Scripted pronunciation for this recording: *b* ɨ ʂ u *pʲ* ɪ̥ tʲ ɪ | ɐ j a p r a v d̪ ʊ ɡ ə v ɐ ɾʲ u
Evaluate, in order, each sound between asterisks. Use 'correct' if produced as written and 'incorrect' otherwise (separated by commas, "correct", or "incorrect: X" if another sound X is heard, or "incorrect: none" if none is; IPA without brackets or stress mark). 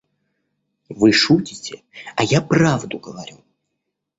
incorrect: v, incorrect: tʲ